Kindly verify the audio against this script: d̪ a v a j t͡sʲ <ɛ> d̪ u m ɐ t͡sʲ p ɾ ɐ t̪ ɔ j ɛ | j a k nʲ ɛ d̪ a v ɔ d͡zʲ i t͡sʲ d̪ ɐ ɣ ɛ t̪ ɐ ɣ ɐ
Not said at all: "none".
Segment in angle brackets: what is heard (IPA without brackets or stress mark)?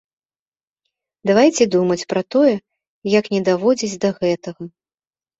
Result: ɛ